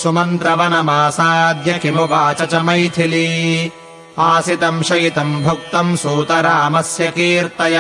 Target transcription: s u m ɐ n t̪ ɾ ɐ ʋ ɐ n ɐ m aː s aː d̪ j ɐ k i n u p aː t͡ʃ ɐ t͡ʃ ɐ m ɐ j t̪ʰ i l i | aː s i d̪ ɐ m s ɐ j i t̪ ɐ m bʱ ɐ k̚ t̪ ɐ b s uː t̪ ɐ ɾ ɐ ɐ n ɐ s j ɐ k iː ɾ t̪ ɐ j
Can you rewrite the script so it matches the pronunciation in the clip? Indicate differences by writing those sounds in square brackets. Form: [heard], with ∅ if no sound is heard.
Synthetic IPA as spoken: s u m ɐ n t̪ ɾ ɐ ʋ ɐ n ɐ m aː s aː d̪ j ɐ k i [m] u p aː t͡ʃ ɐ t͡ʃ ɐ m ɐ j t̪ʰ i l i | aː s i [t̪] ɐ m [ʃ] ɐ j i t̪ ɐ m bʱ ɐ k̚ t̪ ɐ [m] s uː t̪ ɐ ɾ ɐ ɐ [m] ɐ s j ɐ k iː ɾ t̪ ɐ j